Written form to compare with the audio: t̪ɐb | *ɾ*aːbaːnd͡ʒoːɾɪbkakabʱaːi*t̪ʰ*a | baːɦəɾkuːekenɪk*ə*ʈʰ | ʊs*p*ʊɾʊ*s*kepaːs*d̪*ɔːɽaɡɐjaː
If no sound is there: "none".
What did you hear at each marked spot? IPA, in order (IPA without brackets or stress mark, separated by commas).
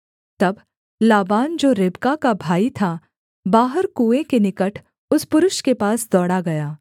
l, t̪ʰ, ə, p, ʃ, d̪